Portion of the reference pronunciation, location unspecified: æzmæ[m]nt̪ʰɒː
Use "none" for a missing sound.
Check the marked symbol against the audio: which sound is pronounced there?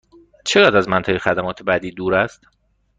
none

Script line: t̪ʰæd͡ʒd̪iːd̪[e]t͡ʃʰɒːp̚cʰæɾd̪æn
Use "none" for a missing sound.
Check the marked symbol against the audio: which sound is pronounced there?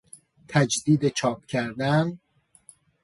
e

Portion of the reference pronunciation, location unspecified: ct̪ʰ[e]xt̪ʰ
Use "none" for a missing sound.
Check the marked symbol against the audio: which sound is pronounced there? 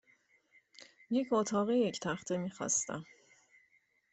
æ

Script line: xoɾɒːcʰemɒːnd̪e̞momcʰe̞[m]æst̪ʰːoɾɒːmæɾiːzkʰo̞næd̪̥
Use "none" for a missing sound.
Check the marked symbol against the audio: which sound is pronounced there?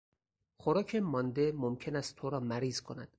n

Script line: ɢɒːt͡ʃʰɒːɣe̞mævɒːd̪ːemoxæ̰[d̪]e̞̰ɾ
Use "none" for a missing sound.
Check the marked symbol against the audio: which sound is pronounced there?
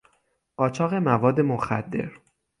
d̪ː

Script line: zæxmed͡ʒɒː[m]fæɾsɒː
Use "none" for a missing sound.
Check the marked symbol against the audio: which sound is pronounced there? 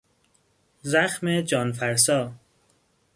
n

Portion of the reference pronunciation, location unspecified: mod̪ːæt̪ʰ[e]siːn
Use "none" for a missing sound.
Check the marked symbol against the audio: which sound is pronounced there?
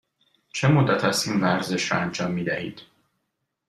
æ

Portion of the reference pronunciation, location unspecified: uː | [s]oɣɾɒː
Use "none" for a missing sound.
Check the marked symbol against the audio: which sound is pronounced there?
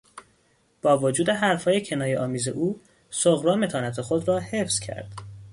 s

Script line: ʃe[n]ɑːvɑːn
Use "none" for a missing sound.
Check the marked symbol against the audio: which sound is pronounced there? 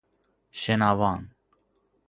n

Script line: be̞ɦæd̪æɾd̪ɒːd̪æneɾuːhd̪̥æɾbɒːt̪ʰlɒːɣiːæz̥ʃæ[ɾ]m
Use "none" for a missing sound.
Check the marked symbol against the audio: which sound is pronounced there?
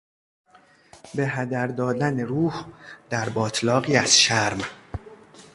ɾ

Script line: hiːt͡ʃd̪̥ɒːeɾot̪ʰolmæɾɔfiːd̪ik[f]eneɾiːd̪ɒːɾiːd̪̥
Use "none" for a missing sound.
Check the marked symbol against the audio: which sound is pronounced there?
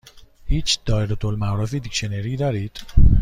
ʃ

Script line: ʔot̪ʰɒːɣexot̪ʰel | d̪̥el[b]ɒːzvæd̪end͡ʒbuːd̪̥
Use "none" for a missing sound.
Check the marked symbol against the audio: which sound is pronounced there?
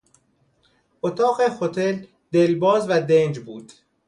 b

